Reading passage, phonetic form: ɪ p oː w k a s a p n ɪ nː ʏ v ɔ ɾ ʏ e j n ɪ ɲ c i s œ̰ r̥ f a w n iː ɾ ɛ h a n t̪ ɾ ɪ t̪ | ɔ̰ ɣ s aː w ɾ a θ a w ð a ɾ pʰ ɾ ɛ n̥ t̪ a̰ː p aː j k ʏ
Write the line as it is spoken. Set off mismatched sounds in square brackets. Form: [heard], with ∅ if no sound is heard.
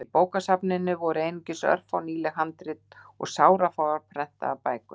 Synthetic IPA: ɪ p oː w k a s a p n ɪ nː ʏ v ɔ ɾ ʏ e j n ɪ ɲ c [ɪ] s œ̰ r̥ f a w n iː [l] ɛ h a n t̪ ɾ ɪ t̪ | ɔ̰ ɣ s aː w ɾ a [f] a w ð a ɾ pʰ ɾ ɛ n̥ t̪ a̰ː p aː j k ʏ